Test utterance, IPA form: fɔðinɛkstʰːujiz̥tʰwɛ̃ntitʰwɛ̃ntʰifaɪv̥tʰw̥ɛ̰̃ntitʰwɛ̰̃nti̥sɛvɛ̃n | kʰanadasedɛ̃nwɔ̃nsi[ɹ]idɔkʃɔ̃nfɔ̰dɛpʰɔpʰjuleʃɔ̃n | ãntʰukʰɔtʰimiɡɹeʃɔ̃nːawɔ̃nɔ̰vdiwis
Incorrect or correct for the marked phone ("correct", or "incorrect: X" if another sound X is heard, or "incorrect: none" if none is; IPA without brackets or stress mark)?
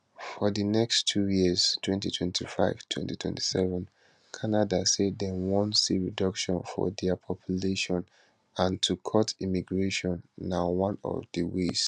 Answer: correct